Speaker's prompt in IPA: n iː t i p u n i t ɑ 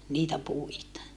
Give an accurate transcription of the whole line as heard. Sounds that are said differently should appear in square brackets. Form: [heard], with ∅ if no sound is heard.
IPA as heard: n iː t [æ] p u [∅] i t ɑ